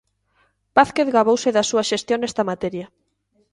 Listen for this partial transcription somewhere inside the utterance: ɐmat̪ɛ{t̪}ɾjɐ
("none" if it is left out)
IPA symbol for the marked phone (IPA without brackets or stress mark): none